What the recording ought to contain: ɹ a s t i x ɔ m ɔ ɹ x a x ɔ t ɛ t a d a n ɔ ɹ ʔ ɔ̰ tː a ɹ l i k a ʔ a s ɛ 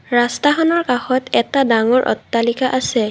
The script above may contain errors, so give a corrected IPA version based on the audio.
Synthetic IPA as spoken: ɹ a s t a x ɔ n ɔ ɹ k a x ɔ t ɛ t a d a ŋ ɔ ɹ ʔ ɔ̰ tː a l i k a ʔ a s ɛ

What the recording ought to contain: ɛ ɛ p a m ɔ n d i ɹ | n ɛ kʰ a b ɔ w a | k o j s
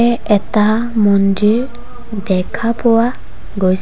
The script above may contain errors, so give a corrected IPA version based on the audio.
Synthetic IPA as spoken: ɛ ɛ t a m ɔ n d i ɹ | d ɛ kʰ a p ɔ w a | ɡ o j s

